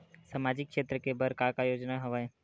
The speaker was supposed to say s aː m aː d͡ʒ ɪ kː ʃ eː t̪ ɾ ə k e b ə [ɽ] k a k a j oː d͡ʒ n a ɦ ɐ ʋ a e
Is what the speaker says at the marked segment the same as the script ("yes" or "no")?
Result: no